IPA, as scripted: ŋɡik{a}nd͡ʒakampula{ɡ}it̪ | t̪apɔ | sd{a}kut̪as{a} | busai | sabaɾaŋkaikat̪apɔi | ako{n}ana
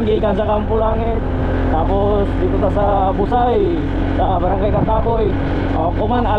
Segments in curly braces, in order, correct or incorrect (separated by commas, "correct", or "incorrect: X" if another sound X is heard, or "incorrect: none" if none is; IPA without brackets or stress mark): correct, incorrect: ŋ, incorrect: i, correct, incorrect: m